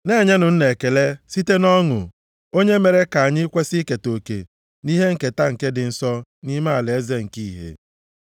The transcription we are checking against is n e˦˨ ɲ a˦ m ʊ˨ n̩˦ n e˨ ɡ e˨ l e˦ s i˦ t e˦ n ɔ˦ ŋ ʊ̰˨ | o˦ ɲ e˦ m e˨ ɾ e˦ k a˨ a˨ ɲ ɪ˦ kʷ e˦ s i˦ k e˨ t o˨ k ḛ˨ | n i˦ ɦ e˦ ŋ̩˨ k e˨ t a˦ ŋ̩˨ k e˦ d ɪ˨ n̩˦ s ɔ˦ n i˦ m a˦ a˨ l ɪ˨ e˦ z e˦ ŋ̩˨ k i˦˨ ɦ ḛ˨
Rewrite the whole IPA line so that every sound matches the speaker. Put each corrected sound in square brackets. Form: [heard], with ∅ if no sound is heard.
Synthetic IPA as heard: n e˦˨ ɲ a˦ [n] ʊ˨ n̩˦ n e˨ [k] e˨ l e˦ s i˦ t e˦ n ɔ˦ ŋ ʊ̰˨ | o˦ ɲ e˦ m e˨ ɾ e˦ k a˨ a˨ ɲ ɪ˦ kʷ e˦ s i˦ k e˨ t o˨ k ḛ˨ | n i˦ ɦ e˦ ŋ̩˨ k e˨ t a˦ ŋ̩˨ k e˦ d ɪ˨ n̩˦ s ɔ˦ n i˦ m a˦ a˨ l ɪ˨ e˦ z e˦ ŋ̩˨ k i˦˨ ɦ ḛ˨